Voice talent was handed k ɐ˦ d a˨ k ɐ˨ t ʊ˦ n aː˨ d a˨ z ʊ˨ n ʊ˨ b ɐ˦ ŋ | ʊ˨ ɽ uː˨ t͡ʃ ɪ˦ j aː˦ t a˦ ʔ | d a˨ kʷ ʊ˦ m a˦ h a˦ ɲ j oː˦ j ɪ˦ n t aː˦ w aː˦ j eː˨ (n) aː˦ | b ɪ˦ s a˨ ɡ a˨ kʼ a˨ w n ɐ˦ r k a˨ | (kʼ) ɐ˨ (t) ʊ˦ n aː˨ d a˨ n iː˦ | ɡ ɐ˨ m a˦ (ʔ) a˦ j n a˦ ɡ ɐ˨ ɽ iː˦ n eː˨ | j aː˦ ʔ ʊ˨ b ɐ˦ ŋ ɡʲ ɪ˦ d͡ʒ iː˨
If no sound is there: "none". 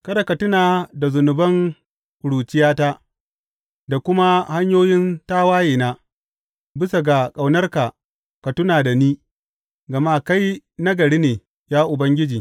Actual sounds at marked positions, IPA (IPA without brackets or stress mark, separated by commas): n, k, t, k